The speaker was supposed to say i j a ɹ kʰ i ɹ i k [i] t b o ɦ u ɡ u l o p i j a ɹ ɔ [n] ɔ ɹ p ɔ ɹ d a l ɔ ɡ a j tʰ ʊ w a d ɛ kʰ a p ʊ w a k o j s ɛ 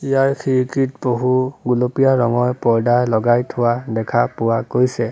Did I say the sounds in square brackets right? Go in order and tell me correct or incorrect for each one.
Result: correct, incorrect

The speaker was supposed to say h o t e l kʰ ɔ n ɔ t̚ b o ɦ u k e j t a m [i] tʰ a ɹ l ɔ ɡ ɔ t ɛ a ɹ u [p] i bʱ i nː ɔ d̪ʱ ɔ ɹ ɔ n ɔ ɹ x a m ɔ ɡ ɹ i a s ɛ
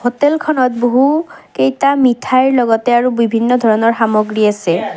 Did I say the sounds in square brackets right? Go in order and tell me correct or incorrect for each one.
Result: correct, incorrect

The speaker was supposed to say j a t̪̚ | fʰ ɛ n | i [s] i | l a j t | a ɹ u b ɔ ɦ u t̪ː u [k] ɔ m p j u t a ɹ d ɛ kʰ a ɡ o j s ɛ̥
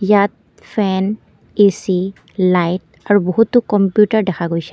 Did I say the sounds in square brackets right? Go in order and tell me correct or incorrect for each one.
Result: correct, correct

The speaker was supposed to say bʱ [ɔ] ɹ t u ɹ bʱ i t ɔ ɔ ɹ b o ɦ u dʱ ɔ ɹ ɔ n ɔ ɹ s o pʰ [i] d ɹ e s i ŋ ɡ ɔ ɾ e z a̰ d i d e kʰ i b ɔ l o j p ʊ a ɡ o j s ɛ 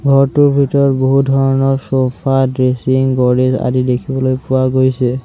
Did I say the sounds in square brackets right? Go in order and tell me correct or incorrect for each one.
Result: correct, incorrect

